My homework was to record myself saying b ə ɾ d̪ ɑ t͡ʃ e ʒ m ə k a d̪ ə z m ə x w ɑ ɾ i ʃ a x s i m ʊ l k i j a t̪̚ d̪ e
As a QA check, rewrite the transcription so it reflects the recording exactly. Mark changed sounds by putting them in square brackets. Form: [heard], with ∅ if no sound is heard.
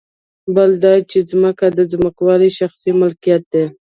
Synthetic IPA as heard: b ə [l] d̪ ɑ t͡ʃ e [z] m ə k a d̪ ə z m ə [k] w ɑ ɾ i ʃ a x s i m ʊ l k i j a t̪̚ d̪ e